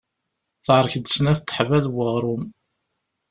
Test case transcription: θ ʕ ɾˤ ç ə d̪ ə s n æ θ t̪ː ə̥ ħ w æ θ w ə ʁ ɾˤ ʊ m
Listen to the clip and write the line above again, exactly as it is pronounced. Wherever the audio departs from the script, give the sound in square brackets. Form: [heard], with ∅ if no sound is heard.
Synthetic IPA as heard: θ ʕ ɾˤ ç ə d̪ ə s n æ θ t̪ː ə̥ ħ [v] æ [ð] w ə ʁ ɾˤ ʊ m